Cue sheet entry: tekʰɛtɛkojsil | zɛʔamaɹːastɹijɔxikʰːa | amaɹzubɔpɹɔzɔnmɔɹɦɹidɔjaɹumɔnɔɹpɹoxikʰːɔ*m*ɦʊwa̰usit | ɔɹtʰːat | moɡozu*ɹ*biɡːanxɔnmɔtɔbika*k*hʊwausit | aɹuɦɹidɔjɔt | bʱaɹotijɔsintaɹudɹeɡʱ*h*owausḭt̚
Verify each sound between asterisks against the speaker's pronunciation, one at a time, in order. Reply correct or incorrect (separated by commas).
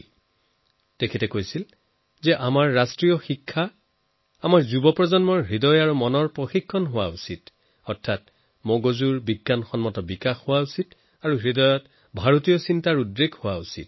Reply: incorrect, correct, incorrect, correct